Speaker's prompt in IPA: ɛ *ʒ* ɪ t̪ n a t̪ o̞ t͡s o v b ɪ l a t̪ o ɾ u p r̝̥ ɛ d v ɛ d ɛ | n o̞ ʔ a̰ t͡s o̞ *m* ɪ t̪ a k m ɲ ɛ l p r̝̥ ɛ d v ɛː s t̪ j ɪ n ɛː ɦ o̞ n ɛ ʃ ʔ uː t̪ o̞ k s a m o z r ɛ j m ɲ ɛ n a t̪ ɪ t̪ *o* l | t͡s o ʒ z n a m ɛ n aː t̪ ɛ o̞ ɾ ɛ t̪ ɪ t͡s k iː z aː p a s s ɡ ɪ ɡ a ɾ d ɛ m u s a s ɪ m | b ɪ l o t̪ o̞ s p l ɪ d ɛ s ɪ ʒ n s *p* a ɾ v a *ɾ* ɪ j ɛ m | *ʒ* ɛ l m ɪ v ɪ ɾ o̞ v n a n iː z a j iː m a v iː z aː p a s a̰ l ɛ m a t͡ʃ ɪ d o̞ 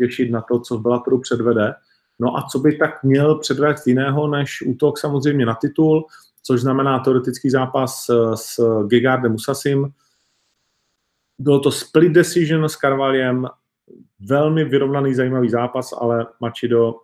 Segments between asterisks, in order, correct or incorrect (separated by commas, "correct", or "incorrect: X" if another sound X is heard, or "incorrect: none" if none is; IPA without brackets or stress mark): incorrect: ʃ, incorrect: b, incorrect: u, incorrect: k, incorrect: l, incorrect: v